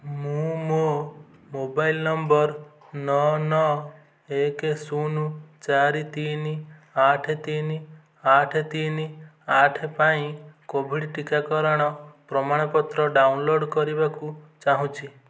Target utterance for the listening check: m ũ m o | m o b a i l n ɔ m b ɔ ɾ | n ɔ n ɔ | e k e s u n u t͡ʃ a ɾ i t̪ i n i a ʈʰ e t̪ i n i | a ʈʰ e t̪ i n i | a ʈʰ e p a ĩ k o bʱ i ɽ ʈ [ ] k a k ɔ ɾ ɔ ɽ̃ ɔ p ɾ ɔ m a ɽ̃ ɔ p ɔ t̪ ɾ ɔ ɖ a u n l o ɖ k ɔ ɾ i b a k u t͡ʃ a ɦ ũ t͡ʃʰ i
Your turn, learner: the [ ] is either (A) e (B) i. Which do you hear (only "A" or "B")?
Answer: B